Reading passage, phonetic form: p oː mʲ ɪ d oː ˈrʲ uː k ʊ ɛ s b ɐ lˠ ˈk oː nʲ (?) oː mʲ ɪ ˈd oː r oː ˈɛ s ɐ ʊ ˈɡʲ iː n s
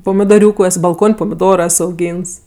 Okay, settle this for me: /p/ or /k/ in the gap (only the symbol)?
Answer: p